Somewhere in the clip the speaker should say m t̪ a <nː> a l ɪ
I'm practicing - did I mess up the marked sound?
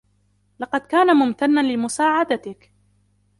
no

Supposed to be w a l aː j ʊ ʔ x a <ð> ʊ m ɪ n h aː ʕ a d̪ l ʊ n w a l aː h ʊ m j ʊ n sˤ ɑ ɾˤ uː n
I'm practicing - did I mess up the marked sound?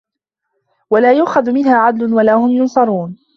no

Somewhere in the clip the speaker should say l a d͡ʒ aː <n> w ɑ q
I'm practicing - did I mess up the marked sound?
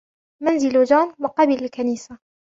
no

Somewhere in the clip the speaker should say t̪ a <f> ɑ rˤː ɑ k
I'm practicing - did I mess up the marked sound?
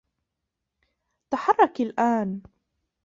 yes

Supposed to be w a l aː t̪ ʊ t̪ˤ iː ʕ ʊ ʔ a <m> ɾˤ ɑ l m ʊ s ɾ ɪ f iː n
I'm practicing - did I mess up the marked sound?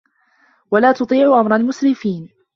no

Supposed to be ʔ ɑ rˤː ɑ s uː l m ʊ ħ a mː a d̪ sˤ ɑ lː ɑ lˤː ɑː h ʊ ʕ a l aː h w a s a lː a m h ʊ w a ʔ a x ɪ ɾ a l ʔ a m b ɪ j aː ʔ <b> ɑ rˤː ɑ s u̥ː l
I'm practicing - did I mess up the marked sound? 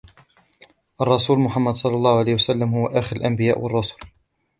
yes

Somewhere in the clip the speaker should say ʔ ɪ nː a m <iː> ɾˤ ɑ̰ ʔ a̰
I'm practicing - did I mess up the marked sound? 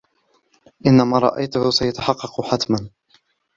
yes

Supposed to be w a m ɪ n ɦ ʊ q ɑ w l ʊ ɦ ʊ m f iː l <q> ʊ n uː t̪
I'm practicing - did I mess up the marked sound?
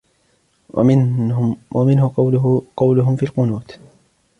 no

